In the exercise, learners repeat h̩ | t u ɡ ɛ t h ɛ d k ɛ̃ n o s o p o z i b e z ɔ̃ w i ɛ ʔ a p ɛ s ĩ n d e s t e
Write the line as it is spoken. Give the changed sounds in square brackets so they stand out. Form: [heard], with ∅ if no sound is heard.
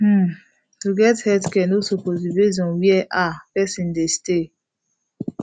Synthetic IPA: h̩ | t u ɡ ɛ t h ɛ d k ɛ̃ n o s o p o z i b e z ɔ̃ w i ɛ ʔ a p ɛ s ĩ n d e s t e

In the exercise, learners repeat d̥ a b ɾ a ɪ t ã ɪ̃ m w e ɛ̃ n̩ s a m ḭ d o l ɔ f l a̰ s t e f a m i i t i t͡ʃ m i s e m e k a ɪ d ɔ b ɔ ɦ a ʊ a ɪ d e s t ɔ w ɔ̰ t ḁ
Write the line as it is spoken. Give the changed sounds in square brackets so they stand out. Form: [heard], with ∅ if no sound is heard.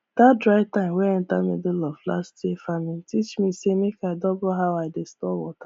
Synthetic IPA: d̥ a [d] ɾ a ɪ t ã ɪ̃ m w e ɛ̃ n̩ [t] a m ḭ d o l ɔ f l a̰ s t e f a m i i t i t͡ʃ m i s e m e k a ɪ d ɔ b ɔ ɦ a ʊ a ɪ d e s t ɔ w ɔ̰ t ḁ

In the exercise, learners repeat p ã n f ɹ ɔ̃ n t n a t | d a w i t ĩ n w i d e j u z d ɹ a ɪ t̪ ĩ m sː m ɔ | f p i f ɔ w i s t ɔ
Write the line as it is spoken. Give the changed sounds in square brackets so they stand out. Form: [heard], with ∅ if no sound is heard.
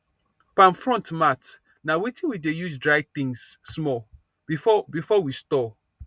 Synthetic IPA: p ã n f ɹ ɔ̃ n t [m] a t | [n] a w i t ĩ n w i d e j u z d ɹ a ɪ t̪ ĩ [ŋ] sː m ɔ | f [b] i f ɔ w i s t ɔ

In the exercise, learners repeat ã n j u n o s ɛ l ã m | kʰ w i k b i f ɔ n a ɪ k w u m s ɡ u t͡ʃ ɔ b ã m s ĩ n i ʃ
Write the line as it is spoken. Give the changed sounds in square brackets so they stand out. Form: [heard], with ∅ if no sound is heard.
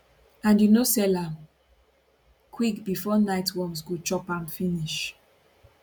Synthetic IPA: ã n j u n o s ɛ l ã m | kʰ w i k b i f ɔ n a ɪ [t] w [ɔ] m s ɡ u t͡ʃ ɔ [p] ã m [f] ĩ n i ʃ

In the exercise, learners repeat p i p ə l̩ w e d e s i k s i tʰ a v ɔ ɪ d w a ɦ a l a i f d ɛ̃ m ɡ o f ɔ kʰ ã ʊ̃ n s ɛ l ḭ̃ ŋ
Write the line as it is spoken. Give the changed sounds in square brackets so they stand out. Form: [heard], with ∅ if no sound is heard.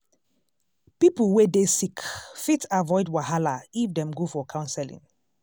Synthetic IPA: p i p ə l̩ w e d e s i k [f] i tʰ a v ɔ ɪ d w a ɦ a l a i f d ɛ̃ m ɡ o f ɔ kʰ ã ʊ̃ n s ɛ l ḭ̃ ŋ

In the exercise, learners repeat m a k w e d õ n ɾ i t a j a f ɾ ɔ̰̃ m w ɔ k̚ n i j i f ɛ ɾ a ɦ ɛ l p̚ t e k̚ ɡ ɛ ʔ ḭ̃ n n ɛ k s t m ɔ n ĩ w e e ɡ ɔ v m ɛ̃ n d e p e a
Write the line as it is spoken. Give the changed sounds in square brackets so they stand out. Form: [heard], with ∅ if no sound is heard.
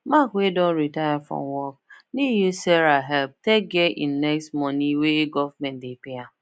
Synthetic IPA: m a k w e d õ n ɾ i t a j a f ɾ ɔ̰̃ m w ɔ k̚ n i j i [s] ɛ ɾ a ɦ ɛ l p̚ t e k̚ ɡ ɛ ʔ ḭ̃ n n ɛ k s t m ɔ n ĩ w e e ɡ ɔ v m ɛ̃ n d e p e a

